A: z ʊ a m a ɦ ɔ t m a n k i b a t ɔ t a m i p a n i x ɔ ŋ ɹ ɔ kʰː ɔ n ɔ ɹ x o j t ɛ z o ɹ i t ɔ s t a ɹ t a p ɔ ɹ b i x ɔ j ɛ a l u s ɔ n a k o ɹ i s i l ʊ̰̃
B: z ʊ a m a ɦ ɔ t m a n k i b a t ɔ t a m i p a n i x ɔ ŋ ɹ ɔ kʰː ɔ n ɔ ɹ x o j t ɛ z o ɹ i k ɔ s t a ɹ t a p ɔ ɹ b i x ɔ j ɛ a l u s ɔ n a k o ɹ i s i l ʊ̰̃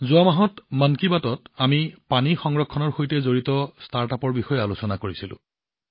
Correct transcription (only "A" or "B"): A